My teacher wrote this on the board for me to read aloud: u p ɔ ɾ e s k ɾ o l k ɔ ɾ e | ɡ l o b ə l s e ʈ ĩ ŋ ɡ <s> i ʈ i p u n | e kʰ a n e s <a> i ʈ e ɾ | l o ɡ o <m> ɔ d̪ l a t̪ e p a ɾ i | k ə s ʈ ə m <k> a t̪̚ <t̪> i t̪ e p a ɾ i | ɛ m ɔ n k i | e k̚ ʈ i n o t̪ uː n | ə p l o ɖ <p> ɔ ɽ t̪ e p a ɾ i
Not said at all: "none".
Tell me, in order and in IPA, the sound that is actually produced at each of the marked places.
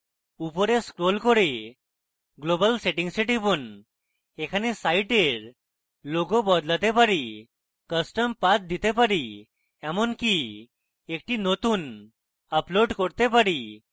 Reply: s, a, b, p, d̪, k

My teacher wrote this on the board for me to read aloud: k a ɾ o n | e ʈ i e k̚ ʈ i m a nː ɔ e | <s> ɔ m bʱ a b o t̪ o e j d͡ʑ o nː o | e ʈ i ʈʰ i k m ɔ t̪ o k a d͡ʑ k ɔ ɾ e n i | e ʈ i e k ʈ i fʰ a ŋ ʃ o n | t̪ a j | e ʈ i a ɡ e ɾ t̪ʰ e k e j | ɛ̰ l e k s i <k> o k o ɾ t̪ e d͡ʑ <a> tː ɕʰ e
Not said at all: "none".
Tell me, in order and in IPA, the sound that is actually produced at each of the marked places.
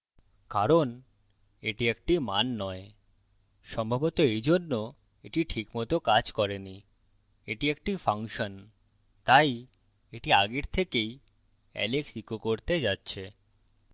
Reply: ʃ, k, a

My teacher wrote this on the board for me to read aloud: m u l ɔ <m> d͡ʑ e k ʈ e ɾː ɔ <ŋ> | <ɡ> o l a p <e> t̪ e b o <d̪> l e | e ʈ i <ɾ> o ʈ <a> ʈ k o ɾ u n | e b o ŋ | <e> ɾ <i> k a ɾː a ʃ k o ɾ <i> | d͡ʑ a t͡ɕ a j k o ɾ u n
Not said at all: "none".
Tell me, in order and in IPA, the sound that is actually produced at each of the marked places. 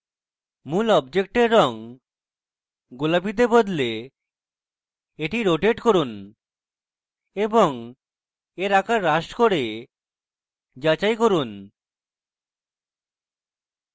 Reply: b, ŋ, ɡ, i, d̪, ɾ, e, e, a, e

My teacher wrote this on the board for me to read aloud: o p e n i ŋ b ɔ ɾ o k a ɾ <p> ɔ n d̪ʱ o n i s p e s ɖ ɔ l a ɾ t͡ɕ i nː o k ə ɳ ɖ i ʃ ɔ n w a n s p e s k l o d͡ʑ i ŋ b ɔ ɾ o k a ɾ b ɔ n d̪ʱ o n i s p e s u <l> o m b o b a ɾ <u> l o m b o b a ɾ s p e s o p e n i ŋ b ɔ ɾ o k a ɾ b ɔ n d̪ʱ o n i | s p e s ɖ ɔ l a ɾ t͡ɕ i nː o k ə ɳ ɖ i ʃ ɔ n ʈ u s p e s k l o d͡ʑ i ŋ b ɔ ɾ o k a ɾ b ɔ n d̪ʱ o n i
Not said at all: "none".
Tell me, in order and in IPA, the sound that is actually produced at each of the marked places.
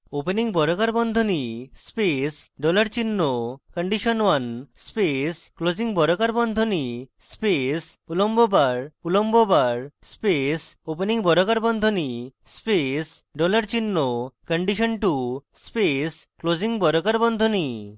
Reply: b, l, u

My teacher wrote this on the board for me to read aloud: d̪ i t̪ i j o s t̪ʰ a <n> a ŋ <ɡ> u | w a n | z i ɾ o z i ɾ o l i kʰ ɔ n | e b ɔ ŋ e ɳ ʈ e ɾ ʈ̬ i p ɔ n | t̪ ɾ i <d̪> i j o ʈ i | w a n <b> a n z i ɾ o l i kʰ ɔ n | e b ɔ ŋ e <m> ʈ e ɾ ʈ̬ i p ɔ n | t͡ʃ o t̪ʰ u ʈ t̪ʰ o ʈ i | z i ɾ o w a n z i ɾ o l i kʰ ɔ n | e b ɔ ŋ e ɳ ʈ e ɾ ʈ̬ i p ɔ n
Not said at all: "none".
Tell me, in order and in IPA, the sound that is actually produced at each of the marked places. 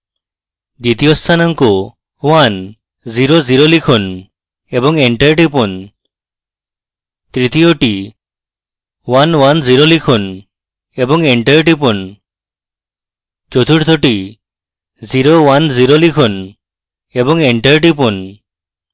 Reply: n, k, t̪, w, ɳ

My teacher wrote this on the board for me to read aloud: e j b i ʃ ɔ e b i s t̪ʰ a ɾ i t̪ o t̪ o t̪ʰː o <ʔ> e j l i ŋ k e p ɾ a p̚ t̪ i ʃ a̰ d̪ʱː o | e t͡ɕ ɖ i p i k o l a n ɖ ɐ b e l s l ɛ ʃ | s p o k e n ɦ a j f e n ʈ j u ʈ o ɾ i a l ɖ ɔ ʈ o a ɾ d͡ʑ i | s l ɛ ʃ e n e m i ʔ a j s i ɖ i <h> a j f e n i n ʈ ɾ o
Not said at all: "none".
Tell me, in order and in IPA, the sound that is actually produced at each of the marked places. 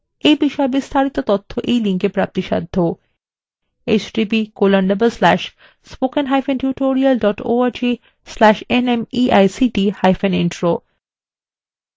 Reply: ʔ, h

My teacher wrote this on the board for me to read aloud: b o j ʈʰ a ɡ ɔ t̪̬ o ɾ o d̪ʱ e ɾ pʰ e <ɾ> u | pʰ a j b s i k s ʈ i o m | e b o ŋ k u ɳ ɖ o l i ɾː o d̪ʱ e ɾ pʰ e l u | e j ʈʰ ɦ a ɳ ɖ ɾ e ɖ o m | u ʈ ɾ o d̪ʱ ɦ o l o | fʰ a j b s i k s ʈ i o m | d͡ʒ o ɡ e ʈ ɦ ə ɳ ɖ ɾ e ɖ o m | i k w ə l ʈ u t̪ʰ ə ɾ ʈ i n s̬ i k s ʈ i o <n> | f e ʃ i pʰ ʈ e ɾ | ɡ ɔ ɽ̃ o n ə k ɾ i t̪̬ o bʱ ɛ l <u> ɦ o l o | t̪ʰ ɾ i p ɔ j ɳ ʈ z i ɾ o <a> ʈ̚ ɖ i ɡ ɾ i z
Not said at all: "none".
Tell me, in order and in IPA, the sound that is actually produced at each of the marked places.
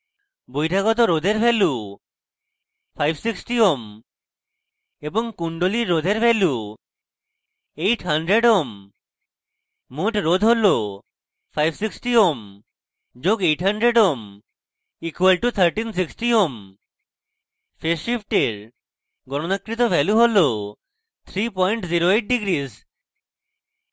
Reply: l, m, u, e

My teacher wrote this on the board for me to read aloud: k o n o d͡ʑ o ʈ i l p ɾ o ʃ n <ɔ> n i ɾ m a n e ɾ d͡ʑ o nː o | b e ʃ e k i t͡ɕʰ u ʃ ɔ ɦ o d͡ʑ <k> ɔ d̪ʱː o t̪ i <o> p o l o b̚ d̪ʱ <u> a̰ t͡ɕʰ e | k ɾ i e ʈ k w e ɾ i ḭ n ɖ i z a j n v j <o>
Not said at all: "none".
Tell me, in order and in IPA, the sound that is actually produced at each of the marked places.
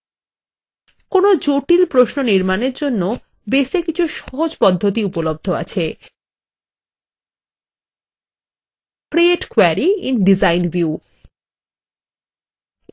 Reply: o, p, u, o, u

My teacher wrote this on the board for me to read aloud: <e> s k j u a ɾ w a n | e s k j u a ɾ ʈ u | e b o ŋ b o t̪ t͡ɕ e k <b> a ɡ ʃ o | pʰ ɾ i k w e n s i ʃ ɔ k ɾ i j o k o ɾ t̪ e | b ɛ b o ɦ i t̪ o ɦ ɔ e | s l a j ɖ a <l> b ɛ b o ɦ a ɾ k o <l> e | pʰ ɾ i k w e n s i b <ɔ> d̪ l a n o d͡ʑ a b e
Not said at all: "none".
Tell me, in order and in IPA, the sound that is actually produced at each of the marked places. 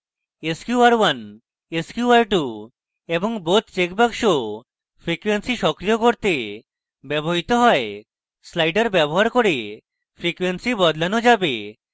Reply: e, b, ɾ, ɾ, ɔ

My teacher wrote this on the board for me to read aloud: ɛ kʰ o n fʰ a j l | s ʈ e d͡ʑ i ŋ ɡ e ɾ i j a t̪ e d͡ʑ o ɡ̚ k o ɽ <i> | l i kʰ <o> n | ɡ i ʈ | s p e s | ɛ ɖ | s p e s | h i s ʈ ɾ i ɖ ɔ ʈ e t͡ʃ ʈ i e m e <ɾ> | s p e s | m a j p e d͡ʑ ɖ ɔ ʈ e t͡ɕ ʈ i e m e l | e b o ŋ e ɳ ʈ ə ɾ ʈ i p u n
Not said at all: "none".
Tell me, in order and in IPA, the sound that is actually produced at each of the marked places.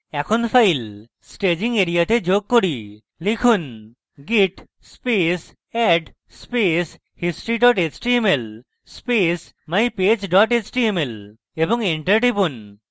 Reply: i, u, l

